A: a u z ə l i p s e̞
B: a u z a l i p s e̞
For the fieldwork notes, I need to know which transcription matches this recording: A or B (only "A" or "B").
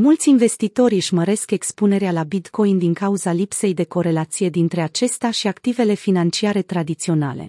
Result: B